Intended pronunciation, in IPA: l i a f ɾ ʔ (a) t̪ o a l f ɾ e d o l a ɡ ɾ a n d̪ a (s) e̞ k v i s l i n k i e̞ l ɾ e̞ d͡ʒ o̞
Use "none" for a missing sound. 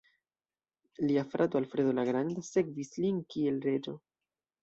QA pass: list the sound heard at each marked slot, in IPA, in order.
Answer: a, s

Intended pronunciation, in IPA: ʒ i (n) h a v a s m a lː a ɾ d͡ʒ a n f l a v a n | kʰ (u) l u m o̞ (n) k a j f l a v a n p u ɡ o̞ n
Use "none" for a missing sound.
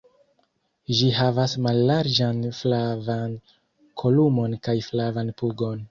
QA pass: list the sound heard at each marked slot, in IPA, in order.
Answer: none, o, n

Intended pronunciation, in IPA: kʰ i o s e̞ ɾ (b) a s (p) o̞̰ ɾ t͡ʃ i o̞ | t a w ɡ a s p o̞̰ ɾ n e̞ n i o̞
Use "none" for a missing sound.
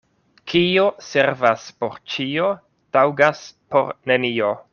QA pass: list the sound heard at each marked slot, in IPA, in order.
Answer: v, p

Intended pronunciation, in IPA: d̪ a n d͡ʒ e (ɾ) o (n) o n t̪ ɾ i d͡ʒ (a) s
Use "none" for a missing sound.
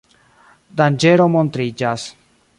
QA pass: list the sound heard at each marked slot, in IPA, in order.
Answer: ɾ, m, a

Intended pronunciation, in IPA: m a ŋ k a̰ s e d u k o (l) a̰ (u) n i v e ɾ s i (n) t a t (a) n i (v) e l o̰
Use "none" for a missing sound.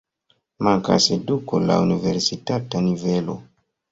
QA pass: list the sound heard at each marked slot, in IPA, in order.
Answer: l, u, none, a, v

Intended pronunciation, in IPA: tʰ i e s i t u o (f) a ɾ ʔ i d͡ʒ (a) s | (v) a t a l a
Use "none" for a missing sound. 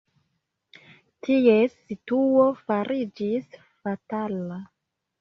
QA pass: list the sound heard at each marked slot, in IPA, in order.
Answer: f, i, f

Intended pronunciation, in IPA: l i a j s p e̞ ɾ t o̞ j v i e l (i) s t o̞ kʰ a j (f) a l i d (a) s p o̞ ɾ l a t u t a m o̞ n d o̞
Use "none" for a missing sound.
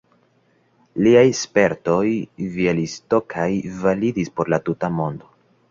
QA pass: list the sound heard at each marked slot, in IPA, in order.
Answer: i, v, i

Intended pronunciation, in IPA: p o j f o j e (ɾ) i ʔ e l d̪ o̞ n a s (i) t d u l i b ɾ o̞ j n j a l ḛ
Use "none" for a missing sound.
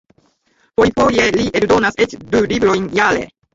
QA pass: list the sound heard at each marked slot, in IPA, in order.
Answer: l, e

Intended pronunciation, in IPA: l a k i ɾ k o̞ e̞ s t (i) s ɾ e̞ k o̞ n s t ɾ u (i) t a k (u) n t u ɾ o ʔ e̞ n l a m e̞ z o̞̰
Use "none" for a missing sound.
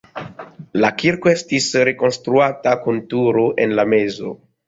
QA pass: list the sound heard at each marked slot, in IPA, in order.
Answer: i, a, u

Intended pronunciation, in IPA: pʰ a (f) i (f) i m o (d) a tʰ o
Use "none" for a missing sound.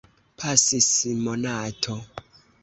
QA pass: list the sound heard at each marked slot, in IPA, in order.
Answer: s, s, n

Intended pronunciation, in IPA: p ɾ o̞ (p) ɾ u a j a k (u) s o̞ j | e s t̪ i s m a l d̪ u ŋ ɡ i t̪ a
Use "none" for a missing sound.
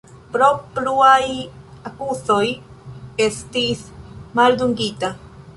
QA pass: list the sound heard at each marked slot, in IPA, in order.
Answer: p, u

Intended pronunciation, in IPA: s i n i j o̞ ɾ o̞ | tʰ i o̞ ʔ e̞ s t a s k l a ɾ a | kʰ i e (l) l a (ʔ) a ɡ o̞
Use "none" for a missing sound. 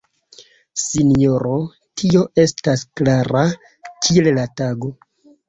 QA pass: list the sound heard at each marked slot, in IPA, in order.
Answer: l, t

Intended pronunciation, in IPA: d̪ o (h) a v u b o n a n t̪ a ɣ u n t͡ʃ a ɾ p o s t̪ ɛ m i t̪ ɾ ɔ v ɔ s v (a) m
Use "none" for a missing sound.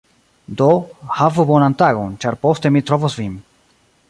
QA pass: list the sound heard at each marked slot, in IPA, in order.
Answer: h, i

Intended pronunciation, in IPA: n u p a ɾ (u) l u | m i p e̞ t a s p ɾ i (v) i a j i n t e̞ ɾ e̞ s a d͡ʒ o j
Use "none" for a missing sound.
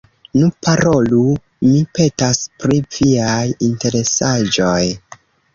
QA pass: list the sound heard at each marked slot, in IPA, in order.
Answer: o, v

